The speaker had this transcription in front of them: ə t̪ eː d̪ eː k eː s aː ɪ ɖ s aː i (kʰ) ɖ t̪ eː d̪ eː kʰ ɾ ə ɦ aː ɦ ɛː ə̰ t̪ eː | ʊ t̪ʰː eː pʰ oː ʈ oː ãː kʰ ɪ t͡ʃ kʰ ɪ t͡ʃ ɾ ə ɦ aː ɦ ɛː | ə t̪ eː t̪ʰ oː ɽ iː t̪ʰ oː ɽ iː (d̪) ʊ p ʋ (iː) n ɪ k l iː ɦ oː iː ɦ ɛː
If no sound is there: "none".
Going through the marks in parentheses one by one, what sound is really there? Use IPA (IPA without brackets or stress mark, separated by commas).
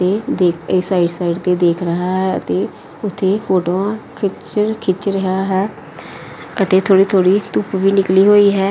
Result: none, t̪, iː